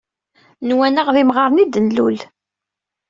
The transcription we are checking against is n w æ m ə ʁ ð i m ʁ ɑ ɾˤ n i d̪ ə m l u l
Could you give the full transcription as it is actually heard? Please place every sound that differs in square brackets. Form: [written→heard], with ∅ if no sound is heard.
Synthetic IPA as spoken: n w æ [m→n] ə ʁ ð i m ʁ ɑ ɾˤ n i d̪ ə [m→n] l u l